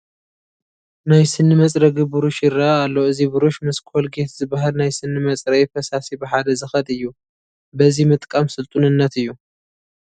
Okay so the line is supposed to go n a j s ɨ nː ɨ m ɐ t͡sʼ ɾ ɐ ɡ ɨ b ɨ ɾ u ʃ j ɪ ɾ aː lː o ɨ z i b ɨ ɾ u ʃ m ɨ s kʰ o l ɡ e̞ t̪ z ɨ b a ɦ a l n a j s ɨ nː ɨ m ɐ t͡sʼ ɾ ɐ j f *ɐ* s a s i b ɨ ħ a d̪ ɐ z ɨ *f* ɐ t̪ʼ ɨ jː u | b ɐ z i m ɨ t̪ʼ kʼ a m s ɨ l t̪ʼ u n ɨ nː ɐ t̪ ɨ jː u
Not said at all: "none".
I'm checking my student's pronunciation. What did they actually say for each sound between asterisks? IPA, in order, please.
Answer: ɐ, x

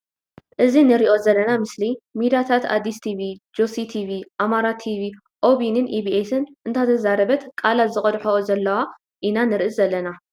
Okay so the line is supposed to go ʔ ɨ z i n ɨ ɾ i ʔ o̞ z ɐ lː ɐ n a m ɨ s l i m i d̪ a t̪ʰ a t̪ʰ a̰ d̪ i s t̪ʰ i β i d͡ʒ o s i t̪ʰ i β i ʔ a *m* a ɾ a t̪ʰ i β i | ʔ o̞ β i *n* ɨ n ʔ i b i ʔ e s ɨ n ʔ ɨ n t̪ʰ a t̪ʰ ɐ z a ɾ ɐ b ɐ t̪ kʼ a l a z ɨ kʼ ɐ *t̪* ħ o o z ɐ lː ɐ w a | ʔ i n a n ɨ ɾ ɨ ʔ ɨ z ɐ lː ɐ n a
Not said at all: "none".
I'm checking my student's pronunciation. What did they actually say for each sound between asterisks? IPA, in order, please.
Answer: m, n, d̪

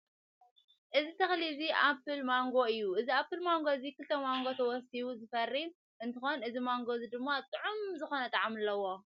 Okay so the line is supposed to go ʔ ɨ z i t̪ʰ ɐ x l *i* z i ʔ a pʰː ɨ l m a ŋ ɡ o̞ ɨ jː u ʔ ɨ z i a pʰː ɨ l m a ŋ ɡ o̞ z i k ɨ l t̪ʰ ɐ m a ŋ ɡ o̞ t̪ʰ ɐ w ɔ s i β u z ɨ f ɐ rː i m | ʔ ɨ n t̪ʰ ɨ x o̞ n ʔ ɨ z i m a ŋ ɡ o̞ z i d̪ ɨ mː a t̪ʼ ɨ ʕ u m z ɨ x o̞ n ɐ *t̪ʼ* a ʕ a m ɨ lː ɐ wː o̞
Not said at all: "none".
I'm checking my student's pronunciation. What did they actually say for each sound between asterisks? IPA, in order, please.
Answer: i, t̪ʼ

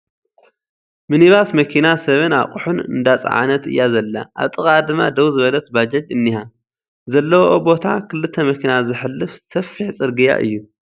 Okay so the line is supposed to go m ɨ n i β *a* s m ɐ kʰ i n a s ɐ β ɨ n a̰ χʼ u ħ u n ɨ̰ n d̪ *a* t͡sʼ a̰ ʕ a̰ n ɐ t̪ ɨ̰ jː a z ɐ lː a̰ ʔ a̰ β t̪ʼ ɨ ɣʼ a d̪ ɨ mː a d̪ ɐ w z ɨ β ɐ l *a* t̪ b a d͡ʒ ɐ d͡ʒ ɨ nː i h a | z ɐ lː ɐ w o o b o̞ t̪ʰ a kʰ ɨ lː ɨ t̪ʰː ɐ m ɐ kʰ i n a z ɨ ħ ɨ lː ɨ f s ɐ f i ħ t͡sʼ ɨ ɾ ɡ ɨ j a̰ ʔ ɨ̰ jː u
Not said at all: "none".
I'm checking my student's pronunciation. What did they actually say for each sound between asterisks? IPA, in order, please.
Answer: a, a, ɐ

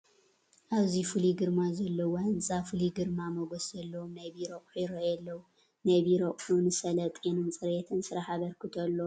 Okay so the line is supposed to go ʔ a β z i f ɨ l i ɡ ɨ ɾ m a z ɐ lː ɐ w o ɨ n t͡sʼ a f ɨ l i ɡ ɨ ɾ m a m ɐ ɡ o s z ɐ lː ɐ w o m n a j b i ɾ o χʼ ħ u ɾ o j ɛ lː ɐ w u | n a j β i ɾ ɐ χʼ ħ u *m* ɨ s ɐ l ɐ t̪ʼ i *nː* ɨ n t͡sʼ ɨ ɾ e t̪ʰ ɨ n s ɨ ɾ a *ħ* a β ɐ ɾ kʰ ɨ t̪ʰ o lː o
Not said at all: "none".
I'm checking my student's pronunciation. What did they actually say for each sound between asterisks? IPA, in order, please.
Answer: n, n, ħ

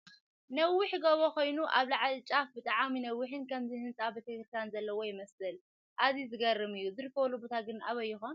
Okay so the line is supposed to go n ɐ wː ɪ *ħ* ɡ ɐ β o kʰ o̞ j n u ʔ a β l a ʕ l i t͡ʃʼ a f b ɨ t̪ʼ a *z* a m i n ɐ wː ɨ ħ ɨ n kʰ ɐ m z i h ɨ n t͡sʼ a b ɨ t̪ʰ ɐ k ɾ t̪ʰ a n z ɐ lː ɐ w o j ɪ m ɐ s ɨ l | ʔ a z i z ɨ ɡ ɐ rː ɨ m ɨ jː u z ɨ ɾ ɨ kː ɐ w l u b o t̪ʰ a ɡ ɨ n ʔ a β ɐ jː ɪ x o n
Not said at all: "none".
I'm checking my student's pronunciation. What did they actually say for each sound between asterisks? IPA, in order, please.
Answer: ħ, ʕ

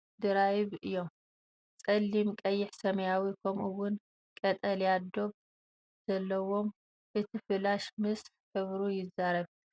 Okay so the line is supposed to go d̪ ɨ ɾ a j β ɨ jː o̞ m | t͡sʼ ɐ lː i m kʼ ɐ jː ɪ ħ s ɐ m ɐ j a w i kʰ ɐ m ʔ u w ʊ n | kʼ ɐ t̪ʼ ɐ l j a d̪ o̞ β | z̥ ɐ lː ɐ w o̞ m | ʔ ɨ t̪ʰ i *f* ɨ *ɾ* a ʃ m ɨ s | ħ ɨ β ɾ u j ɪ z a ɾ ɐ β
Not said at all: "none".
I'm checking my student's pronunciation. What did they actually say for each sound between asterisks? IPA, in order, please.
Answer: f, l

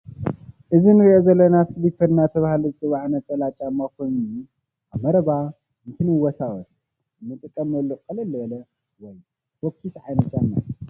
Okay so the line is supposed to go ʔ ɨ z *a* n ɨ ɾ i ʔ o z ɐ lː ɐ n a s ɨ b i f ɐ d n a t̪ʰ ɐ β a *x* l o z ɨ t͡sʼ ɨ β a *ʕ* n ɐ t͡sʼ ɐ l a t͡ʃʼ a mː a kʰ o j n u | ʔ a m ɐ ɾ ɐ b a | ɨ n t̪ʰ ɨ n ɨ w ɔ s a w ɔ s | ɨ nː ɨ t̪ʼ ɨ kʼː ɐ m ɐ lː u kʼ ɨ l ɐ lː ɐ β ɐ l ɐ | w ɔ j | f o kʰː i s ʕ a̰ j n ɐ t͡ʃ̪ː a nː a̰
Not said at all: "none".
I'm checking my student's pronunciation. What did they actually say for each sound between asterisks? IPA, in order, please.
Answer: i, h, ʕ

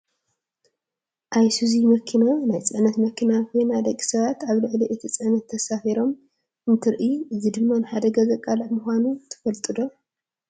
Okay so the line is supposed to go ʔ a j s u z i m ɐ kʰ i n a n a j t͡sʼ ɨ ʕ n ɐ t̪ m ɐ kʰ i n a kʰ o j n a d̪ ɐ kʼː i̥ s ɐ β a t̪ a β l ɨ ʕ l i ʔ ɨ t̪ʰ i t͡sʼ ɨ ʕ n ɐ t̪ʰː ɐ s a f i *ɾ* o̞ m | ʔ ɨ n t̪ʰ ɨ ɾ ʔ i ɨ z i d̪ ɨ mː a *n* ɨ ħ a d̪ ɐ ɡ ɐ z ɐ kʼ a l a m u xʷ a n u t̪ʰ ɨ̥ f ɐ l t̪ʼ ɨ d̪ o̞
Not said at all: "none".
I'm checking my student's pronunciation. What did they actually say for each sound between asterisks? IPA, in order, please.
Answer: ɾ, n

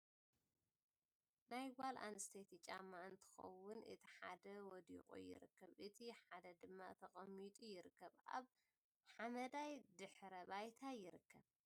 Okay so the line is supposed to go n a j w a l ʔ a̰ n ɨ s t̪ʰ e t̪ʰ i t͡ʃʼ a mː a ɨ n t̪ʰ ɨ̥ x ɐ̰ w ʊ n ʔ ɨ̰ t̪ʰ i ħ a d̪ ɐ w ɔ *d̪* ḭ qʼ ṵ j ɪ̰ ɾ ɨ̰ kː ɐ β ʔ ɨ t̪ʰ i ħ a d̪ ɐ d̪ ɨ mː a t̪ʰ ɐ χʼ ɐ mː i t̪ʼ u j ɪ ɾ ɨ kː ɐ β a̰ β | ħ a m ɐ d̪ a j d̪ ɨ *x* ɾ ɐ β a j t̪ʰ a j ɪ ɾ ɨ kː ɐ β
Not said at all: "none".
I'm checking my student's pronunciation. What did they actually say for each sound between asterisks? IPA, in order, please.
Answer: d̪, ħ

